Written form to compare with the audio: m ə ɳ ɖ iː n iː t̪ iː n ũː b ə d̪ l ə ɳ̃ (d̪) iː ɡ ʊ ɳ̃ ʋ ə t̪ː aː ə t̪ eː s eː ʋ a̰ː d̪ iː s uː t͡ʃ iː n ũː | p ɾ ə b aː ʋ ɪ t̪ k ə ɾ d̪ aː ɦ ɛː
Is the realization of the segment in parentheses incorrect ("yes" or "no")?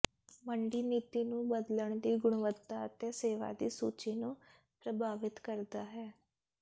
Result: no